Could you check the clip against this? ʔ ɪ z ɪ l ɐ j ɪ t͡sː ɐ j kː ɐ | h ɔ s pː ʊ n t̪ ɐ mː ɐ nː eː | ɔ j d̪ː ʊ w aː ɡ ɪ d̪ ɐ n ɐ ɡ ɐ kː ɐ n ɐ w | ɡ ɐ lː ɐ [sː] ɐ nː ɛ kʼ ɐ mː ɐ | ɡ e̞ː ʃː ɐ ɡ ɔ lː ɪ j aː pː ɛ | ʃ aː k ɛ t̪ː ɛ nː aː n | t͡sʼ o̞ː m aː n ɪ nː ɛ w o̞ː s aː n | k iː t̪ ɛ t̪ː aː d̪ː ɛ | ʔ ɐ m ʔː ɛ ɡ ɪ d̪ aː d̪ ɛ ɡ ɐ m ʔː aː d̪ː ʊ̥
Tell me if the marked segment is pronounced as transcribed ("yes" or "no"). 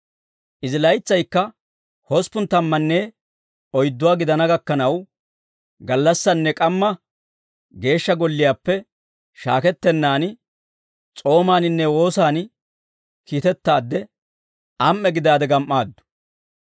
yes